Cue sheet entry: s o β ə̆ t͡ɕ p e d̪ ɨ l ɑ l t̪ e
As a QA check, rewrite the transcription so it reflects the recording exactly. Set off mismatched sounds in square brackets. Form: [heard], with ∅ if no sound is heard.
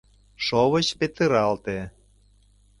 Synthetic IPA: [ʃ] o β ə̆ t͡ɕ p e [t̪] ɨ [ɾ] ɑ l t̪ e